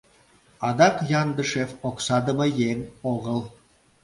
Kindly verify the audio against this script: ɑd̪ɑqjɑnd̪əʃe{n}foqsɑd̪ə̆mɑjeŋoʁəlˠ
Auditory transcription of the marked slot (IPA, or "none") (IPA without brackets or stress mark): none